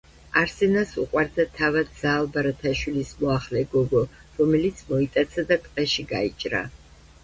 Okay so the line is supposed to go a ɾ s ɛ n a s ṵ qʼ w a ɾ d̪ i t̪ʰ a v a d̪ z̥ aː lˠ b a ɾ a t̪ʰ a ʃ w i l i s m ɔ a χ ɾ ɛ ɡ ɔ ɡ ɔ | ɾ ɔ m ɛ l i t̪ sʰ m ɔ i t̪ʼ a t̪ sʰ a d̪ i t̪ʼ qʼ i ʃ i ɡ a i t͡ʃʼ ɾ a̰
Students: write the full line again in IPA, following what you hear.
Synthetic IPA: a ɾ s ɛ n a s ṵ qʼ w a ɾ d̪ a t̪ʰ a v a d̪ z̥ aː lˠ b a ɾ a t̪ʰ a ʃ w i l i s m ɔ a χ l ɛ ɡ ɔ ɡ ɔ | ɾ ɔ m ɛ l i t̪ sʰ m ɔ i t̪ʼ a t̪ sʰ a d̪ a t̪ʼ qʼ ɛ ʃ i ɡ a i t͡ʃʼ ɾ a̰